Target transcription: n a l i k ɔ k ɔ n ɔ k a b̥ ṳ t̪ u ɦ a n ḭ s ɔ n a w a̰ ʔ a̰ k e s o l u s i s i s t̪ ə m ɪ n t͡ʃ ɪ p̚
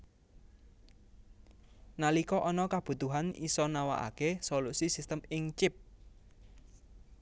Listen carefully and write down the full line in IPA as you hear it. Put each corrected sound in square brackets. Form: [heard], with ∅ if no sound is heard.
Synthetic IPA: n a l i k ɔ [ʔ] ɔ n ɔ k a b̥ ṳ t̪ u ɦ a n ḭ s ɔ n a w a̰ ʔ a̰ k e s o l u s i s i s t̪ ə m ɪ [ŋ] t͡ʃ ɪ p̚

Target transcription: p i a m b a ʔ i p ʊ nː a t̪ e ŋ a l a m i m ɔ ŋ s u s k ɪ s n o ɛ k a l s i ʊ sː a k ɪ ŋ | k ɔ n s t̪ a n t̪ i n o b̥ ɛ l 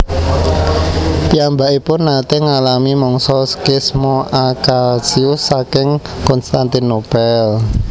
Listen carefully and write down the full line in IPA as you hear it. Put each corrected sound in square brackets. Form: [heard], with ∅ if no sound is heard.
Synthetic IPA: p i a m b a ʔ i p ʊ nː a t̪ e ŋ a l a m i m ɔ ŋ s [ɔ] s k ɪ s [m] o [a] k a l s i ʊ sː a k ɪ ŋ | k ɔ n s t̪ a n t̪ i n o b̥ ɛ l

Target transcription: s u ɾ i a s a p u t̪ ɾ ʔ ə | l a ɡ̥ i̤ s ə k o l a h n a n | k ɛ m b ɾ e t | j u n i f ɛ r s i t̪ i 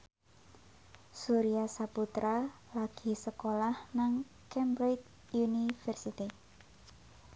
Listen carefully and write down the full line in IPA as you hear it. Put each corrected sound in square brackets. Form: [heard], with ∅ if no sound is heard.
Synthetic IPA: s u ɾ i a s a p u t̪ ɾ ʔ [a] | l a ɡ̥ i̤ s ə k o l a h n a [ŋ] | k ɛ m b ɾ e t | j u n i f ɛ r s i t̪ i

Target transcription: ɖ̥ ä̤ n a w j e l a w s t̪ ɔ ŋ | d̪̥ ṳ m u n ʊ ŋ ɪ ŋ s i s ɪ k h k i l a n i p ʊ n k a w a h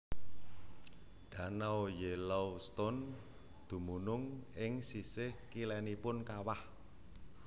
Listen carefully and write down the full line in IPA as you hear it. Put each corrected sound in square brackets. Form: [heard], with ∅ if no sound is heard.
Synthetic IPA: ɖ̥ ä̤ n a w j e l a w s t̪ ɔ [n] | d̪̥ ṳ m u n ʊ ŋ ɪ ŋ s i s ɪ [∅] h k i l [ɛ] n i p ʊ n k a w a h

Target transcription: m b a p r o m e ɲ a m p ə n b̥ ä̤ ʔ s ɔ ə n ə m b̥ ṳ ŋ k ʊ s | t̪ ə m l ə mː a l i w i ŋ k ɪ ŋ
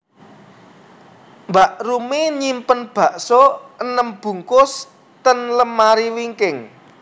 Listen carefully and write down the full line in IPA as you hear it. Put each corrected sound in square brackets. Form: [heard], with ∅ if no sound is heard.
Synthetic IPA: m b a [ʔ] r [u] m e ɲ [i] m p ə n b̥ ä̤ ʔ s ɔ ə n ə m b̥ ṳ ŋ k ʊ s | t̪ ə [n] l ə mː a [ɾ] i w i ŋ k ɪ ŋ

